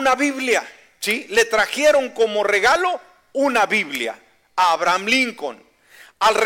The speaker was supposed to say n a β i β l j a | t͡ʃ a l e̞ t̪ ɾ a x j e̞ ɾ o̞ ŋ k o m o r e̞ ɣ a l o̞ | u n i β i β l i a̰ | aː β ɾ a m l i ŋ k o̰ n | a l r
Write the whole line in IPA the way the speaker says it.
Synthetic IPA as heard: n a β i β l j a | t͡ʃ i l e̞ t̪ ɾ a x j e̞ ɾ o̞ ŋ k o m o r e̞ ɣ a l o̞ | u n a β i β l j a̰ | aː β ɾ a m l i ŋ k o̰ n | a l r